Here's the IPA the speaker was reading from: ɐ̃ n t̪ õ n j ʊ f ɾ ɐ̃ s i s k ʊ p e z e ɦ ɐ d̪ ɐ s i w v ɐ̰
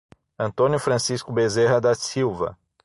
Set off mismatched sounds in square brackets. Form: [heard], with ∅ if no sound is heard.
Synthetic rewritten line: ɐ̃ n t̪ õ n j ʊ f ɾ ɐ̃ s i s k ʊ [b] e z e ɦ ɐ d̪ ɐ s i w v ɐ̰